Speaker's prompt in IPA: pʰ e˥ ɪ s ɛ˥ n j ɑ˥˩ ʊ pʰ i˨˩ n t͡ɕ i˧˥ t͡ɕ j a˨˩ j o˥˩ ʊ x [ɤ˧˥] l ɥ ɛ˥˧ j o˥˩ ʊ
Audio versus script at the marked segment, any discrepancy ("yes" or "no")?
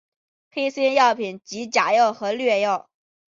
no